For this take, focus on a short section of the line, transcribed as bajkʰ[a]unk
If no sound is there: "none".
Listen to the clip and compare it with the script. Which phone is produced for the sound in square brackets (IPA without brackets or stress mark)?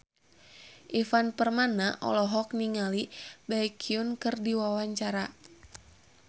i